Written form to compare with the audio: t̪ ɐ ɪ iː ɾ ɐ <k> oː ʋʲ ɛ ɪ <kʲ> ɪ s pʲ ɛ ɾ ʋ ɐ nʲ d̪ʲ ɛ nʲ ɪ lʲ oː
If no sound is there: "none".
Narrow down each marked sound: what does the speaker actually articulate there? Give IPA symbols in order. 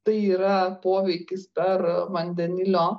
p, kʲ

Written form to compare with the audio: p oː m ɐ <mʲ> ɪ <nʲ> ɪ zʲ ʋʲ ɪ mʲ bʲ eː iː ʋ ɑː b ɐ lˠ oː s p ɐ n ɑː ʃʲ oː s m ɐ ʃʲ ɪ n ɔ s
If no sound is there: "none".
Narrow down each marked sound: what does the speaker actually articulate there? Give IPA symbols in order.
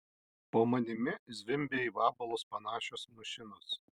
nʲ, mʲ

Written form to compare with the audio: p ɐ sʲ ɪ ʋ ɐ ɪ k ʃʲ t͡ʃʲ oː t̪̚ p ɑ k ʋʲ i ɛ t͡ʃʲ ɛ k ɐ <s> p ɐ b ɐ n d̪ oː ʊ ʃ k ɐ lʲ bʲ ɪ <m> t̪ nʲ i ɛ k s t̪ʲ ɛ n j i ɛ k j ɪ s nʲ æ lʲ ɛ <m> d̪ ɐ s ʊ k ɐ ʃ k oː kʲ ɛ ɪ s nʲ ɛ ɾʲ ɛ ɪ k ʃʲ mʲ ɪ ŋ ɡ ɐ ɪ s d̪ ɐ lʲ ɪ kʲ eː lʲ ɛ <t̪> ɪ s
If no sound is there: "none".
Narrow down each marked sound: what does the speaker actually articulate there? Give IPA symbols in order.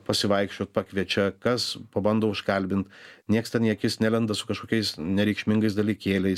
s, n, n, none

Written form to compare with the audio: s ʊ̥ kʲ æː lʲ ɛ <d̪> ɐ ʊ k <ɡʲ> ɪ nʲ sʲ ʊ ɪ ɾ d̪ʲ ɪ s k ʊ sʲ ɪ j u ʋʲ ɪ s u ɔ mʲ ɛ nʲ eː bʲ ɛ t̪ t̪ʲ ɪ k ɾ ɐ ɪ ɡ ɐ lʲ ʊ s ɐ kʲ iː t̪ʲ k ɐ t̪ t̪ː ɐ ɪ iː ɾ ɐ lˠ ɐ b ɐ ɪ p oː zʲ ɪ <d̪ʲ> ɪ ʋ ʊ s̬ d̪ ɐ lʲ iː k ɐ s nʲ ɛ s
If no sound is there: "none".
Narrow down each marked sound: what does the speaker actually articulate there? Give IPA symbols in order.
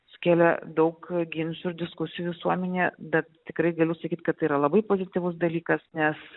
d̪, ɡʲ, t̪ʲ

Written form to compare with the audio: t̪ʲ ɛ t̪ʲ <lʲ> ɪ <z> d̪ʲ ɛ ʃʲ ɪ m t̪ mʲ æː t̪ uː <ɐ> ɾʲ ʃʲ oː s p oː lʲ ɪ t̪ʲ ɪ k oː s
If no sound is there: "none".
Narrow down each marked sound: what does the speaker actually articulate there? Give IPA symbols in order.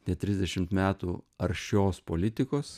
ɾʲ, z, ɐ

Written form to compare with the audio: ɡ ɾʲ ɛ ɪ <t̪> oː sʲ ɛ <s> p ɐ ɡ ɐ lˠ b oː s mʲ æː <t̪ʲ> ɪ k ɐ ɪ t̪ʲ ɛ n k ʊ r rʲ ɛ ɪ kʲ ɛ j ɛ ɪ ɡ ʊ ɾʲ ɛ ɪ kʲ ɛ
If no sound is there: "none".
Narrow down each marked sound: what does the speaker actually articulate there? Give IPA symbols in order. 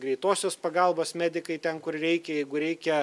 t̪, s, d̪ʲ

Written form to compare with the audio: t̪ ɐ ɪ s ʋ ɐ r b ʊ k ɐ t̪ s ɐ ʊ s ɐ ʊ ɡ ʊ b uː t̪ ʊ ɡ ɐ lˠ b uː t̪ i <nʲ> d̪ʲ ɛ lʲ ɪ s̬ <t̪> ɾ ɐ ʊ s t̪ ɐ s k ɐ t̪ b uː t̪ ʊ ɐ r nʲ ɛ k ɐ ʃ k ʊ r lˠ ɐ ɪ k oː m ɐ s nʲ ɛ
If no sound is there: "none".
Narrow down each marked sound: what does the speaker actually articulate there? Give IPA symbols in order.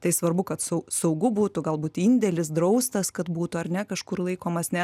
nʲ, d̪

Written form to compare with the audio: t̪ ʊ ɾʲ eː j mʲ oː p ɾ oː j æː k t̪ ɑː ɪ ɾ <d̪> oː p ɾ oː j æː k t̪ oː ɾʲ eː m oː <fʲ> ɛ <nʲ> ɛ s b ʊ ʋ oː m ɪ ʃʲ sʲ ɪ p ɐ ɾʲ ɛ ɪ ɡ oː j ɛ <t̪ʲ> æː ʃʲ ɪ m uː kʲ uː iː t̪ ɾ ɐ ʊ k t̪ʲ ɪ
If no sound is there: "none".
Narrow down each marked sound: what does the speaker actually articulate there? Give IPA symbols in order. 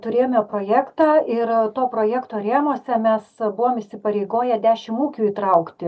t̪, sʲ, mʲ, d̪ʲ

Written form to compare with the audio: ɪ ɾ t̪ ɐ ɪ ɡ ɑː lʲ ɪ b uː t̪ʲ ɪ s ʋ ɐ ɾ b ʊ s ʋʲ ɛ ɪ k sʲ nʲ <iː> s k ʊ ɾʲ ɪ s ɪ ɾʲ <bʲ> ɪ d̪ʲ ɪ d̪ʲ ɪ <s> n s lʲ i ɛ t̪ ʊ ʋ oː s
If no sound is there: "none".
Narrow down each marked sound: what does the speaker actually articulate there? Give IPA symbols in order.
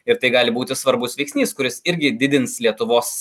iː, ɡʲ, none

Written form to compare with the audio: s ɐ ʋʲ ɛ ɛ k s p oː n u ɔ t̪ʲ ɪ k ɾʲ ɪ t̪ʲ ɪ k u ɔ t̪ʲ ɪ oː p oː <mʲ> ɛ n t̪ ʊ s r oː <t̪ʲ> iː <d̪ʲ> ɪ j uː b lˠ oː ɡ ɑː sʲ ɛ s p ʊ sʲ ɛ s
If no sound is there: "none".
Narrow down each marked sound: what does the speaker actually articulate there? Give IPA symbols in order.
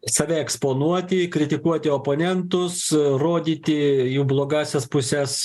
nʲ, d̪ʲ, t̪ʲ

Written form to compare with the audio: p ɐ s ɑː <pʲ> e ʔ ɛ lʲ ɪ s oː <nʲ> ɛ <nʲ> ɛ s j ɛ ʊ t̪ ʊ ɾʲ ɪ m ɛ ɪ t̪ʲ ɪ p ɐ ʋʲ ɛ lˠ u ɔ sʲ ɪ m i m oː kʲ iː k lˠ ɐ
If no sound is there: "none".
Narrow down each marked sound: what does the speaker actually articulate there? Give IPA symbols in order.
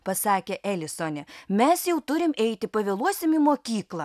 kʲ, nʲ, mʲ

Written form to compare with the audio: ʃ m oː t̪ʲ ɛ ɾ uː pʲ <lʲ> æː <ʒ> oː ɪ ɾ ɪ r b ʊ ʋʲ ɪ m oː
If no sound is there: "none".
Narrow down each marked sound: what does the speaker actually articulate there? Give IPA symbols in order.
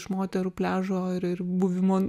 lʲ, ʒ

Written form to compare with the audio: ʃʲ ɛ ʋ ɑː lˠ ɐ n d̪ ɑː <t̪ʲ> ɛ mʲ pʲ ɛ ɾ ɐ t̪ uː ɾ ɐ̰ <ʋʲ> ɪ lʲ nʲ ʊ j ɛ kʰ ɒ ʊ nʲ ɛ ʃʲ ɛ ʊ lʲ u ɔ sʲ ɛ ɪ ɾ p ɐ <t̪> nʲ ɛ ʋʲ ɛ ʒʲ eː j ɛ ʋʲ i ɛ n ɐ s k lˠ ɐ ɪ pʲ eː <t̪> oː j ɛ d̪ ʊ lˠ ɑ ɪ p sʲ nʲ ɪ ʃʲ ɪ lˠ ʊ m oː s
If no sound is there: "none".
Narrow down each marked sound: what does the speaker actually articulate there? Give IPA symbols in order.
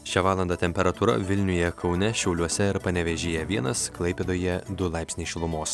t̪ʲ, ʋʲ, none, d̪

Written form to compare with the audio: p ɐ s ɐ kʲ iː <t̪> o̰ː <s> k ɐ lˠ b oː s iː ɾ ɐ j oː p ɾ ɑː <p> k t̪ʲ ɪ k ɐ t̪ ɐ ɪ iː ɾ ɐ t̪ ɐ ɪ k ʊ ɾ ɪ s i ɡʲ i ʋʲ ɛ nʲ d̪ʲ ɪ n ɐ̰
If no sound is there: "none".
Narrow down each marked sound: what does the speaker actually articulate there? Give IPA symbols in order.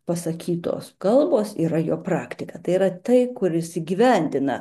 t̪, s, none

